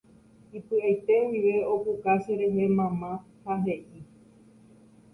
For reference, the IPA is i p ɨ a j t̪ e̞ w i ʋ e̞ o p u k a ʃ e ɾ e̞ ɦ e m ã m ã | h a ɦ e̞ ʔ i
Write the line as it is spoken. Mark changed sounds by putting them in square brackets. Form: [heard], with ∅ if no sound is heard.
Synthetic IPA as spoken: i p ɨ a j t̪ e̞ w i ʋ e̞ o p u k a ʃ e ɾ e̞ ɦ e m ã m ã | h a ɦ e̞ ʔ i